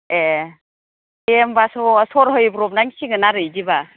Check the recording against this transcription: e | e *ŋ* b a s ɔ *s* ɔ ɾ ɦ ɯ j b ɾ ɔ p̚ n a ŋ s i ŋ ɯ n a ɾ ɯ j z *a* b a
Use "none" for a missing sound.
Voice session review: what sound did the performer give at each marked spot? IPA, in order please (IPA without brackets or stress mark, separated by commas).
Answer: m, s, i